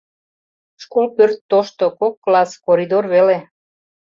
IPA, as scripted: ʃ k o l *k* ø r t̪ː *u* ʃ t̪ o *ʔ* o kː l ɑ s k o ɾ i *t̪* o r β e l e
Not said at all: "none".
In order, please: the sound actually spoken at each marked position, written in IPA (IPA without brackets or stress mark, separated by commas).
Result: p, o, k, d̪